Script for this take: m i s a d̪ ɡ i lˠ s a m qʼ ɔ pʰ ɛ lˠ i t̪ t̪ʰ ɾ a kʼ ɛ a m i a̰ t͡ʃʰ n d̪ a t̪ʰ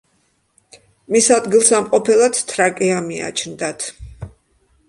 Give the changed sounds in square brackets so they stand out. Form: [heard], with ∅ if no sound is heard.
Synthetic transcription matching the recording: m i s a d̪ ɡ i lˠ s a m qʼ ɔ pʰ ɛ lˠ [a] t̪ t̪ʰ ɾ a kʼ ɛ a m i a̰ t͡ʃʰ n d̪ a t̪ʰ

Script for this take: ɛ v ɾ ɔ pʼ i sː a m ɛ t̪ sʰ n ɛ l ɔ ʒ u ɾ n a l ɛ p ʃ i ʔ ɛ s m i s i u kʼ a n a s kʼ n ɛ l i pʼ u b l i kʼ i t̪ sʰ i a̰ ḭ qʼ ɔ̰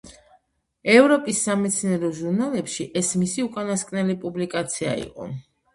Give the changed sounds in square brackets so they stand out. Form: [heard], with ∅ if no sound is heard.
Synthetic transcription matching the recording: ɛ v ɾ ɔ pʼ i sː a m ɛ t̪ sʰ n ɛ [ɾ] ɔ ʒ u ɾ n a l ɛ p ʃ i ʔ ɛ s m i s i u kʼ a n a s kʼ n ɛ l i pʼ u b l i kʼ [a] t̪ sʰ i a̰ ḭ qʼ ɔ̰

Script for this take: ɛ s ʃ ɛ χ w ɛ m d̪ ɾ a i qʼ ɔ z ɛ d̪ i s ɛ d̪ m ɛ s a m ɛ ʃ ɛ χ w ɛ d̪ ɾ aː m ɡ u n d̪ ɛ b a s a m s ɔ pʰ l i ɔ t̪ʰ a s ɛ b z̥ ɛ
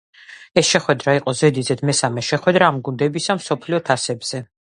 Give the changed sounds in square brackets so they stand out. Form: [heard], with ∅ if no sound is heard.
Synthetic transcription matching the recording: ɛ s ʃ ɛ χ w ɛ [∅] d̪ ɾ a i qʼ ɔ z ɛ d̪ i [z] ɛ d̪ m ɛ s a m ɛ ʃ ɛ χ w ɛ d̪ ɾ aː m ɡ u n d̪ ɛ b [i] s a m s ɔ pʰ l i ɔ t̪ʰ a s ɛ b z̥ ɛ

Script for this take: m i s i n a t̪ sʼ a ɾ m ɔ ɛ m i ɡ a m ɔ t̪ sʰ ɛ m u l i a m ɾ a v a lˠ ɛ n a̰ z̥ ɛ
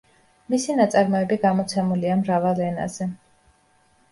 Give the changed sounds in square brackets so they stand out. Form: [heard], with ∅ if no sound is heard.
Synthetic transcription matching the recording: m i s i n a t̪ sʼ a ɾ m ɔ ɛ [b] i ɡ a m ɔ t̪ sʰ ɛ m u l i a m ɾ a v a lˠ ɛ n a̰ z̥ ɛ

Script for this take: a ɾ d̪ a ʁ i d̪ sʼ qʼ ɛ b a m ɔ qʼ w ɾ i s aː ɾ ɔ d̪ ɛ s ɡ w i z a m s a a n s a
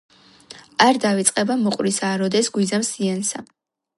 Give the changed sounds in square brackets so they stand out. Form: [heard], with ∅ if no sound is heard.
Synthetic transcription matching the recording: a ɾ d̪ a [v] i [t̪] sʼ qʼ ɛ b a m ɔ qʼ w ɾ i s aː ɾ ɔ d̪ ɛ s ɡ w i z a m s [i] a n s a

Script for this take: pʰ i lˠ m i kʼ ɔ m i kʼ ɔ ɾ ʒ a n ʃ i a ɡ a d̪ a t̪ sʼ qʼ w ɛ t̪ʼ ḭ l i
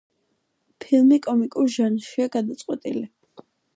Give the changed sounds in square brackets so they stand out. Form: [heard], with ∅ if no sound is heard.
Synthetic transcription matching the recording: pʰ i lˠ m i kʼ ɔ m i kʼ [u] ɾ ʒ a n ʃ i a ɡ a d̪ a t̪ sʼ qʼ w ɛ t̪ʼ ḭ l i

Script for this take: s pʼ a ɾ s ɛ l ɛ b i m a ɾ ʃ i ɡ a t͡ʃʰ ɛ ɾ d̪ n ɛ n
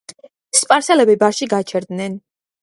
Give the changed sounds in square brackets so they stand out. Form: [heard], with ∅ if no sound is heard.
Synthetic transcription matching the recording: s pʼ a ɾ s ɛ l ɛ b i [b] a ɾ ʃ i ɡ a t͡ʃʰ ɛ ɾ d̪ n ɛ n

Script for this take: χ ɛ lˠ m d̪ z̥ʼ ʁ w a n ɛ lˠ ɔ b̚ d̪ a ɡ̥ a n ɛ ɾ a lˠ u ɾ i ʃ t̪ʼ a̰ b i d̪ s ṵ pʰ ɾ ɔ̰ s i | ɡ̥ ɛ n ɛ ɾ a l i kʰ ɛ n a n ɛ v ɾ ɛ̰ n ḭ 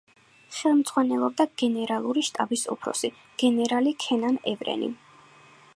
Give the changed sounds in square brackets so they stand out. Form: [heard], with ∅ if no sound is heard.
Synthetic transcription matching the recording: χ ɛ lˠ m d̪ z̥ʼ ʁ w a n ɛ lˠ ɔ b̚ d̪ a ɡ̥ [ɛ] n ɛ ɾ a lˠ u ɾ i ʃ t̪ʼ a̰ b i [∅] s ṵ pʰ ɾ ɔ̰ s i | ɡ̥ ɛ n ɛ ɾ a l i kʰ ɛ n a n ɛ v ɾ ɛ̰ n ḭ

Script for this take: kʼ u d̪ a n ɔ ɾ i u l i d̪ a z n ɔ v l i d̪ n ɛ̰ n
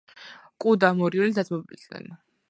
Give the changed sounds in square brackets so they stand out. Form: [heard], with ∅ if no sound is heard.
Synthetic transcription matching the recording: kʼ u d̪ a [m] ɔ ɾ i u l i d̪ a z [m] ɔ [b] l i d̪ n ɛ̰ n

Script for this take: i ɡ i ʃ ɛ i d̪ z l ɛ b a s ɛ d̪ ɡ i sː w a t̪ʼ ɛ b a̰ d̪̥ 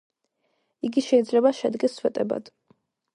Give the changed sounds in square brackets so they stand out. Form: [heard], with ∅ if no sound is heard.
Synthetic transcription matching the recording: i ɡ i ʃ ɛ i d̪ z l ɛ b a [ʃ] ɛ d̪ ɡ [ɛ] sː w [ɛ] t̪ʼ ɛ b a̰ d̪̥

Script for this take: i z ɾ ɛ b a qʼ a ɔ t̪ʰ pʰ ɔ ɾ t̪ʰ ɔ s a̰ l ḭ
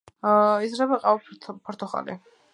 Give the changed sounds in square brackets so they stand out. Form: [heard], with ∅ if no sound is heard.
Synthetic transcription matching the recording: i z ɾ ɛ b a qʼ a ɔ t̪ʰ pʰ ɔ ɾ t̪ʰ ɔ [χ] a̰ l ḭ

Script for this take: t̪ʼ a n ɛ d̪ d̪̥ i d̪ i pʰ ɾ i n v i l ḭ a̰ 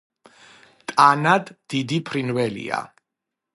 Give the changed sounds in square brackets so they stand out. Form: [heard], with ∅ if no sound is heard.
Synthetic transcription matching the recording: t̪ʼ a n [a] d̪ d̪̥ i d̪ i pʰ ɾ i n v [ɛ] l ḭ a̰

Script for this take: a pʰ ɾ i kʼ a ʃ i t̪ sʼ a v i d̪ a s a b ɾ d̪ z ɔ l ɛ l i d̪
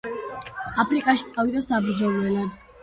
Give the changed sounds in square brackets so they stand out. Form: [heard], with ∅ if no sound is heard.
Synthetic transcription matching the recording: a pʰ ɾ i kʼ a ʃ i t̪ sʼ a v i d̪ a s a b ɾ d̪ z ɔ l ɛ l [a] d̪

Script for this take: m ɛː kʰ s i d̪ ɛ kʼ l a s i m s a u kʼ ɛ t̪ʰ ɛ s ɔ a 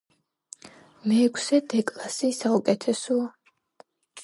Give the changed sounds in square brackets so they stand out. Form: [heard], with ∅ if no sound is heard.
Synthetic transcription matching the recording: m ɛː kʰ s [ɛ] d̪ ɛ kʼ l a s i [∅] s a u kʼ ɛ t̪ʰ ɛ s ɔ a

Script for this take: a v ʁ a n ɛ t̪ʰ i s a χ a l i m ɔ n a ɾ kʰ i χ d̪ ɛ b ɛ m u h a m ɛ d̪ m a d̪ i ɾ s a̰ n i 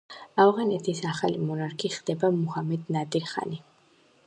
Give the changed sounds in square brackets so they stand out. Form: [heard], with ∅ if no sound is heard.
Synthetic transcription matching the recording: a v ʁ a n ɛ t̪ʰ i s a χ a l i m ɔ n a ɾ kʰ i χ d̪ ɛ b [a] m u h a m ɛ d̪ [n] a d̪ i ɾ [χ] a̰ n i

